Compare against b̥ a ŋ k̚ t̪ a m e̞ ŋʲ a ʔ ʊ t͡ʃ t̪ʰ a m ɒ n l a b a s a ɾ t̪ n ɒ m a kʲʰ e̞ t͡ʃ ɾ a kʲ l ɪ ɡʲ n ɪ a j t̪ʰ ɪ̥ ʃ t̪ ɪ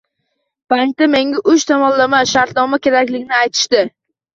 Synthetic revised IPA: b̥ a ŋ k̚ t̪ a m e̞ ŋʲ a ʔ ʊ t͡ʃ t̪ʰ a m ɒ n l a m a ʃ a ɾ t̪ n ɒ m a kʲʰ e̞ ɾ a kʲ l ɪ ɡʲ n ɪ a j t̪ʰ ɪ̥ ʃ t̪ ɪ